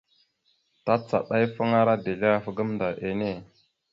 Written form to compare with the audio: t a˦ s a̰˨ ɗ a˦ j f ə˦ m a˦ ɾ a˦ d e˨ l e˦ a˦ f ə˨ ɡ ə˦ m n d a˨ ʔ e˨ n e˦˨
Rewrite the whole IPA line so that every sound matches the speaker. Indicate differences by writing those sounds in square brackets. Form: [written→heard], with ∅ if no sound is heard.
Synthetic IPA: t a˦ [s→t͡s] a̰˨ ɗ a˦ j f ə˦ [m→ŋ] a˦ ɾ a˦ d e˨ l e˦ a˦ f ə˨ ɡ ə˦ m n d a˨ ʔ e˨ n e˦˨